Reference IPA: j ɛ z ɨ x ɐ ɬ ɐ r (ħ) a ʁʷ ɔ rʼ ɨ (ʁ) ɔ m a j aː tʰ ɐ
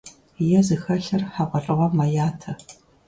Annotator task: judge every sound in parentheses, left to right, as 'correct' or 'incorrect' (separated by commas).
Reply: correct, correct